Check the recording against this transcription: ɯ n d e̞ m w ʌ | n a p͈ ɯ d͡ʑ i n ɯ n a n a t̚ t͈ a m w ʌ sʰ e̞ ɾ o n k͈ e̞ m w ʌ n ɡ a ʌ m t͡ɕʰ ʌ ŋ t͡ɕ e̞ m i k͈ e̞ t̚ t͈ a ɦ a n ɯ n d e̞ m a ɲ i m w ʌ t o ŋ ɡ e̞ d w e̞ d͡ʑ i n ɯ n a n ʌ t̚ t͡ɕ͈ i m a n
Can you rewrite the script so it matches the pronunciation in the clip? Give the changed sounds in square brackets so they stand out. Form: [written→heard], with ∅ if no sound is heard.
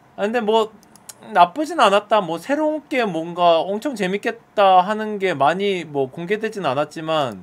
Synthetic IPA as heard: ɯ n d e̞ m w ʌ | n a p͈ ɯ d͡ʑ i n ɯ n a n a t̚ t͈ a m w ʌ sʰ e̞ ɾ o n k͈ e̞ m w ʌ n ɡ a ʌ [m→ŋ] t͡ɕʰ ʌ ŋ t͡ɕ e̞ m i k͈ e̞ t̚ t͈ a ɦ a n ɯ n [d→ɡ] e̞ m a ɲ i m w ʌ [t→k] o ŋ ɡ e̞ d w e̞ d͡ʑ i n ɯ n a n [ʌ→a] t̚ t͡ɕ͈ i m a n